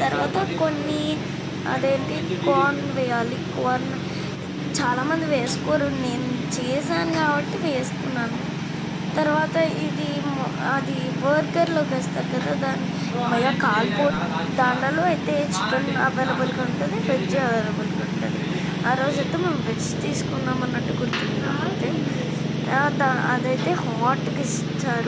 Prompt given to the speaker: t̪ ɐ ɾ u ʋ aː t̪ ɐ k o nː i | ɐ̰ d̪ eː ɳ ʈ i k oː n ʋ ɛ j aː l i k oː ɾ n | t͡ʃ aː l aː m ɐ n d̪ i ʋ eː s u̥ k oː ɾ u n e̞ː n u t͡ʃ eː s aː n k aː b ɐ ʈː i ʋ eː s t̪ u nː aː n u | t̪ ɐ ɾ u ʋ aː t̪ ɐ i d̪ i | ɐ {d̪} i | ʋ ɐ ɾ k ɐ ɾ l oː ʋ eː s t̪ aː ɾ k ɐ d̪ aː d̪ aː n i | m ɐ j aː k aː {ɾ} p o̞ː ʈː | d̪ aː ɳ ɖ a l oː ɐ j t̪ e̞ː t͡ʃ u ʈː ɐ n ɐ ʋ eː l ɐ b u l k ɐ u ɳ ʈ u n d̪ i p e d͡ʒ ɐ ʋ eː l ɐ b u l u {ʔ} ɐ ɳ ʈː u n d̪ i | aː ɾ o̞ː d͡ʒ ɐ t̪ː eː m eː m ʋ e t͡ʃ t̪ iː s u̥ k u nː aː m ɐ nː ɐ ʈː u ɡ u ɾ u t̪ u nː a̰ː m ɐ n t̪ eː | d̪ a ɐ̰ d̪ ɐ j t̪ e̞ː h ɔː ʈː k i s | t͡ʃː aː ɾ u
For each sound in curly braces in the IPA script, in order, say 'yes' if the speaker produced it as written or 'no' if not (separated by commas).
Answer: yes, no, no